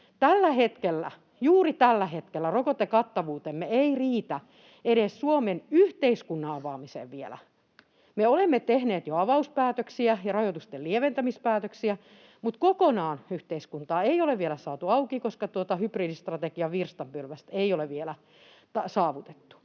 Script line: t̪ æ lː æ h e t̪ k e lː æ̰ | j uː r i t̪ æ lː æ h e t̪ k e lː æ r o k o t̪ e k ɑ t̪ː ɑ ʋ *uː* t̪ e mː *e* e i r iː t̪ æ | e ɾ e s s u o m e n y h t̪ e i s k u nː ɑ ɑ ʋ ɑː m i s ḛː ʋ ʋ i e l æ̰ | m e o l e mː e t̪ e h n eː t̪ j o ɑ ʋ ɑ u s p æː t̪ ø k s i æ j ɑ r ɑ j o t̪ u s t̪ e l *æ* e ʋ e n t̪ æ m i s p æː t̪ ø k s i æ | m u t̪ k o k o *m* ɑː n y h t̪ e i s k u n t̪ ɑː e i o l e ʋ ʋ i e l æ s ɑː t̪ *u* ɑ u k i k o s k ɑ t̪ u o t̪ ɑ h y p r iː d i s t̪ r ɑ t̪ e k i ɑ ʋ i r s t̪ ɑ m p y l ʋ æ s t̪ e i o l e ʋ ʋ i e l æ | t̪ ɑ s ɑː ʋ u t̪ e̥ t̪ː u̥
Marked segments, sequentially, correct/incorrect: correct, correct, incorrect, incorrect, correct

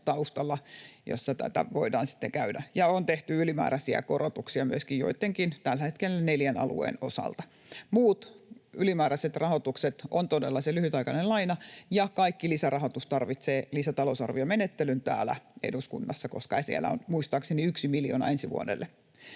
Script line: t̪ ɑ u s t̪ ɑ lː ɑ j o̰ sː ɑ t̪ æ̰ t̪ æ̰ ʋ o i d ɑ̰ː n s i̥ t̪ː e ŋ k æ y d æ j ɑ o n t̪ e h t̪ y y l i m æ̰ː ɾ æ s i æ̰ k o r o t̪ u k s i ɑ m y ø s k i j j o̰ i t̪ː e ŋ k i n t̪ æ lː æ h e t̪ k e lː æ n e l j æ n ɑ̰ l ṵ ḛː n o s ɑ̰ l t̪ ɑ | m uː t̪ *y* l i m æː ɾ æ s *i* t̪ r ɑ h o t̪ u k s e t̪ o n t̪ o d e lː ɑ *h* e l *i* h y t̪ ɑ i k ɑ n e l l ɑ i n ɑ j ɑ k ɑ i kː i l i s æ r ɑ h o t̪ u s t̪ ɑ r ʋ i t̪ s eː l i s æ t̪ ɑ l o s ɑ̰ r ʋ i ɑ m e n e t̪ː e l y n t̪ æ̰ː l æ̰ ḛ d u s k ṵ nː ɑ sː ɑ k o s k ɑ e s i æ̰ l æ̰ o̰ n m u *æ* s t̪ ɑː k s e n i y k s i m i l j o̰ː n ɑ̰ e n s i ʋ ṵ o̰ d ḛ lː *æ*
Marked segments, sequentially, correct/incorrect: correct, incorrect, incorrect, incorrect, incorrect, incorrect

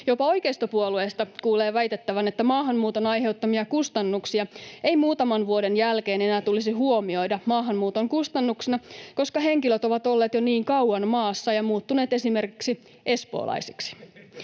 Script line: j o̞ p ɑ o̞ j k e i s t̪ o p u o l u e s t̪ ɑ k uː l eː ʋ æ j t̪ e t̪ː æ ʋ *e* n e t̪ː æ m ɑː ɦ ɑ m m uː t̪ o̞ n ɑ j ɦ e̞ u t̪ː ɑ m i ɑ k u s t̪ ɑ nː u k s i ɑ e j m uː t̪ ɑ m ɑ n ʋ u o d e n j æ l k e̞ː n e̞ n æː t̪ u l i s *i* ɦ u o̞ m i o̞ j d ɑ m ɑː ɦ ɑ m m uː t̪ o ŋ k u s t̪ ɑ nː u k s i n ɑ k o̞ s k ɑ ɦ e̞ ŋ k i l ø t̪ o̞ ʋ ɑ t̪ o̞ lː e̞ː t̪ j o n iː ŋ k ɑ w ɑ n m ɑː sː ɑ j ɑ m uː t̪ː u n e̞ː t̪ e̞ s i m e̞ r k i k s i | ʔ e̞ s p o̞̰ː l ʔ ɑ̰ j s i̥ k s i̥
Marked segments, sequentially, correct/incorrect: incorrect, correct

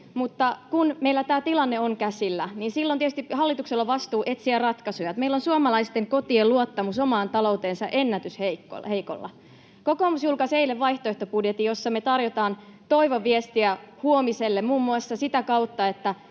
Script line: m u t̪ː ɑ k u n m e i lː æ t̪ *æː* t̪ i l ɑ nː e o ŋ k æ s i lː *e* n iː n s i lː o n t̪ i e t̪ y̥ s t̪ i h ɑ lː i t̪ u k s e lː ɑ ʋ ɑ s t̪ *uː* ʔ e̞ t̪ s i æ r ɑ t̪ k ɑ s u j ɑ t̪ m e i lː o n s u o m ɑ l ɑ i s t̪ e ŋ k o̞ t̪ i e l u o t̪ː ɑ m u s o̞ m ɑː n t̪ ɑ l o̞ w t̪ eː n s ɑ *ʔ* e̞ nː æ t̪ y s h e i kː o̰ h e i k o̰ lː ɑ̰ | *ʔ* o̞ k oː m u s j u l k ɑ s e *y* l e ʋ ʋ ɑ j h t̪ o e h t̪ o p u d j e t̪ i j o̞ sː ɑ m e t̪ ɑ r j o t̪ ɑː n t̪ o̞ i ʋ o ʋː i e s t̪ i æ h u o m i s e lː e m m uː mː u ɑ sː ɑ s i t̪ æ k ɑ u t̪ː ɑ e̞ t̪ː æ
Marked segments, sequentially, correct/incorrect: correct, incorrect, correct, correct, incorrect, incorrect

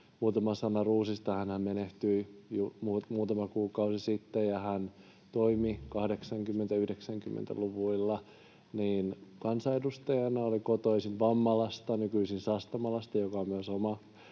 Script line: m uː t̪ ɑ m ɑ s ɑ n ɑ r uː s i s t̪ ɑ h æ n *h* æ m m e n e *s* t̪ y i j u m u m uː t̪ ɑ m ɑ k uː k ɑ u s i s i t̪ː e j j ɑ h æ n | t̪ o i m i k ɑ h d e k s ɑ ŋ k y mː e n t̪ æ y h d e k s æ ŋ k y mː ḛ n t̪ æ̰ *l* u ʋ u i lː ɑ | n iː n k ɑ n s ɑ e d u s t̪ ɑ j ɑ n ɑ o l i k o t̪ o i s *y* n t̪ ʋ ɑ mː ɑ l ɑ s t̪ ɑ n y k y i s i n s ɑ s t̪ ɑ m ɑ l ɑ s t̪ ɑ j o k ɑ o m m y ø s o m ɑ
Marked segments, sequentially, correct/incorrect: correct, incorrect, correct, incorrect

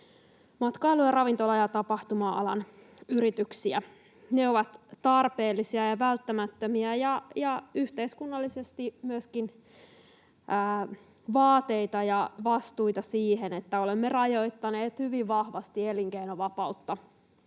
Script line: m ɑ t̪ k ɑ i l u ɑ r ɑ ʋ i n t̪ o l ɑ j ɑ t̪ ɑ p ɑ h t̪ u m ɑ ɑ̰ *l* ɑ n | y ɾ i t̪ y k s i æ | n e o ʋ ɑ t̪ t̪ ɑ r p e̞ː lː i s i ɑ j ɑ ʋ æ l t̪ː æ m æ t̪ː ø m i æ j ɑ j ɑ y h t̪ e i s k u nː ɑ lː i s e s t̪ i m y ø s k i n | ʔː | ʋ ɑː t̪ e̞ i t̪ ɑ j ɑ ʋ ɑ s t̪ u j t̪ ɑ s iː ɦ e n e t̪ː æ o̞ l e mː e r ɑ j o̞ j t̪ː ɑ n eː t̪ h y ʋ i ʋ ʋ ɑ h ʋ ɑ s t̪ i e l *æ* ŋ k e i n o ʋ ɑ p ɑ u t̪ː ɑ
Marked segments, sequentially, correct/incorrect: correct, incorrect

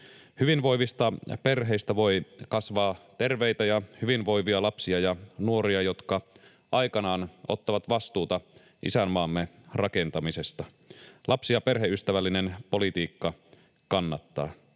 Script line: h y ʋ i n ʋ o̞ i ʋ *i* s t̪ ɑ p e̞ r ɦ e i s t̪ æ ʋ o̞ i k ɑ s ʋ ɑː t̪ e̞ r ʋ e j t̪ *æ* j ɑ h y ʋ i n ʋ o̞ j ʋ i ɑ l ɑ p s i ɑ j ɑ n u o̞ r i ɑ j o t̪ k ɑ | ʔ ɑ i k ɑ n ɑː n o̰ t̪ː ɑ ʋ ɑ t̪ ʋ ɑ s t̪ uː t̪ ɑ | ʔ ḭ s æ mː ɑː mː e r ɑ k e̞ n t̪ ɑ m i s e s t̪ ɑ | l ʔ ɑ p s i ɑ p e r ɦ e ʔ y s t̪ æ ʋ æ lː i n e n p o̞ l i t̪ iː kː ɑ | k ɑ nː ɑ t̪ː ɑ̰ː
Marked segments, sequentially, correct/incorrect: correct, correct

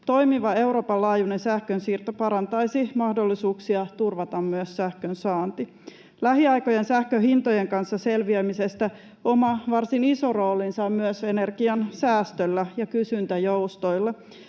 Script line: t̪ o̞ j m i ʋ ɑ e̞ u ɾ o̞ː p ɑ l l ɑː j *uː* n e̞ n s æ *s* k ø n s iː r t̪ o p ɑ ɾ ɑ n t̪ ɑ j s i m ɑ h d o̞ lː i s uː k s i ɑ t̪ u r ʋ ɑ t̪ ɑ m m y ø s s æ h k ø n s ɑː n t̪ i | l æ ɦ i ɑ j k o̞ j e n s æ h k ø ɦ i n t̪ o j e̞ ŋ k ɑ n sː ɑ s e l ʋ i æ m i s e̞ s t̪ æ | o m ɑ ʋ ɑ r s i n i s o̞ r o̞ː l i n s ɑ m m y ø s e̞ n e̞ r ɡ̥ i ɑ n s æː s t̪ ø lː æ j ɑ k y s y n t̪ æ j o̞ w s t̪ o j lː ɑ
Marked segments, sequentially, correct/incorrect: incorrect, incorrect

